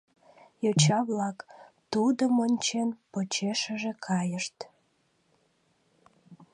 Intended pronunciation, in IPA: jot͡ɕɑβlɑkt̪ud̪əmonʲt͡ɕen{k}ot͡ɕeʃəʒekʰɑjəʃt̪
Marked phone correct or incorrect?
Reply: incorrect